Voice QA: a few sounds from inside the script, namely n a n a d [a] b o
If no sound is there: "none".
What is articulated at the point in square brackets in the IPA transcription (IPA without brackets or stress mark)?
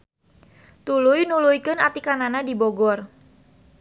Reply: i